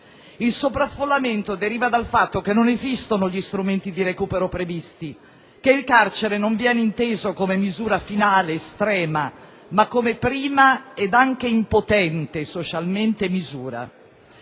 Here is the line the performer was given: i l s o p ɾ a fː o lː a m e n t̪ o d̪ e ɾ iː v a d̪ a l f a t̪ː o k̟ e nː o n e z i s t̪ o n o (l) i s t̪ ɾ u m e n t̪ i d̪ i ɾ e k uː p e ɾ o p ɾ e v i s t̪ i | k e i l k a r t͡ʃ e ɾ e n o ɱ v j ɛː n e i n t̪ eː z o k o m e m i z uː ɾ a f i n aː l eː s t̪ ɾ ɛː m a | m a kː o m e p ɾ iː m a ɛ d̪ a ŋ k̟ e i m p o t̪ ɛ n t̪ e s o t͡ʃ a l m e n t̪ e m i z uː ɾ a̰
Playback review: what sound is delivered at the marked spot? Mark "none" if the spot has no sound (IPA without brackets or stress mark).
ʎ